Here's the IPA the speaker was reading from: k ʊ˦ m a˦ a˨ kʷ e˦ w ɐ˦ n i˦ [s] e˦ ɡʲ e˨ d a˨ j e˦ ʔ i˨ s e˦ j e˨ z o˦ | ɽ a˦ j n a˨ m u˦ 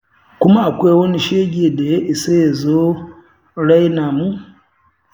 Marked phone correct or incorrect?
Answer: incorrect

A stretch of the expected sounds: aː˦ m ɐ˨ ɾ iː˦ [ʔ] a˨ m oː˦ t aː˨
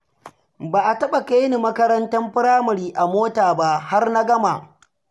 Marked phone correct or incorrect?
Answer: correct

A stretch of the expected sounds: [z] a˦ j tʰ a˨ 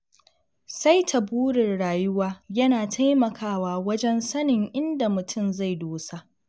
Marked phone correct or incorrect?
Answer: incorrect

